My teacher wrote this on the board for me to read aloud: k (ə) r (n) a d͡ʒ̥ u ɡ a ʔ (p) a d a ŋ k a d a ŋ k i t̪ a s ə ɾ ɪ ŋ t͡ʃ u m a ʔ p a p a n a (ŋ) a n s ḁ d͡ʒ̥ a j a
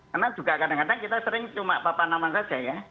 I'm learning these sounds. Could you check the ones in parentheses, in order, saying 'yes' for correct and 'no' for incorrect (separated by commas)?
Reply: yes, yes, no, no